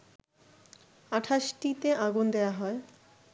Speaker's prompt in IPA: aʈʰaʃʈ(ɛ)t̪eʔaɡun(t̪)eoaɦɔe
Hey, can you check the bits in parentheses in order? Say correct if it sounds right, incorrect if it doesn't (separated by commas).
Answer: incorrect, incorrect